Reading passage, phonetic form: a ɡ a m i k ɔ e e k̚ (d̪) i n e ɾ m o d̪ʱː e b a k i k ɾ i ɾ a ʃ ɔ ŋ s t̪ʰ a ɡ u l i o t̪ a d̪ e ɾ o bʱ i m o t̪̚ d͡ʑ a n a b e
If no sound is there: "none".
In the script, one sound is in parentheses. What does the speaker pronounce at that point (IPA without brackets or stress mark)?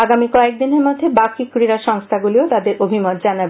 d̪